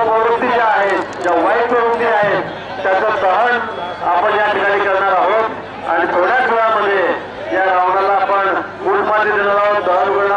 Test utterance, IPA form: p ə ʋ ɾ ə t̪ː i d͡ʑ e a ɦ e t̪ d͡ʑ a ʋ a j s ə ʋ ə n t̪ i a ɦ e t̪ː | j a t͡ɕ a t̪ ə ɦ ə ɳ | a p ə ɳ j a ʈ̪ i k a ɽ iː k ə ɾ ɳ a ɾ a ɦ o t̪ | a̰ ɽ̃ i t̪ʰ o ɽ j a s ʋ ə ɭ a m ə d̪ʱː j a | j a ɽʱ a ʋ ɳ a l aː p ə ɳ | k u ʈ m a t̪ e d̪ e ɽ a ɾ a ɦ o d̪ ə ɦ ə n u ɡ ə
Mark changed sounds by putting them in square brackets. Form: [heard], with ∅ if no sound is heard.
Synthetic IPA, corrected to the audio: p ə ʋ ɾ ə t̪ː i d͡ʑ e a ɦ e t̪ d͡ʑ a ʋ a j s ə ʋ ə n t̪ i a ɦ e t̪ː | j a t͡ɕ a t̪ ə ɦ ə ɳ | a p ə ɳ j a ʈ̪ i k a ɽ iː k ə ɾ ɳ a ɾ a ɦ o t̪ | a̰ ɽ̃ i t̪ʰ o ɽ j a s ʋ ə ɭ a m ə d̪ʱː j [e] | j a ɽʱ a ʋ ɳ a l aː p ə ɳ | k u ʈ m a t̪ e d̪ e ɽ a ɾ a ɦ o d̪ ə ɦ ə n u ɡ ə